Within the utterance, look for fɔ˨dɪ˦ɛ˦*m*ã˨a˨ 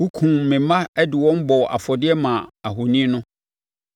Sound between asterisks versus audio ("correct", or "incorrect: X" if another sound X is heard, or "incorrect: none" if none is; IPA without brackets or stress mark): correct